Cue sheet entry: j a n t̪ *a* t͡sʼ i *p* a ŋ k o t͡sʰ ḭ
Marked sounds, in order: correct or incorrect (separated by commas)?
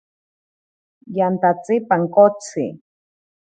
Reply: correct, correct